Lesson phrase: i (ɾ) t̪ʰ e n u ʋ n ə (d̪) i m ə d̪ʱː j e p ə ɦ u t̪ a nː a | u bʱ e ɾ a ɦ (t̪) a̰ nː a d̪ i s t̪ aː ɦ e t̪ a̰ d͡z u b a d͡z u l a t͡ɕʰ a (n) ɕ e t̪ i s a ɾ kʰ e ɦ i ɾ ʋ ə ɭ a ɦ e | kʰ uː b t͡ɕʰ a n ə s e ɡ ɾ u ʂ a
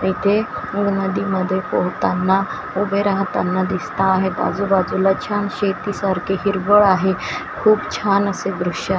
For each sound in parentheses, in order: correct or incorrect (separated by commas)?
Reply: incorrect, correct, correct, correct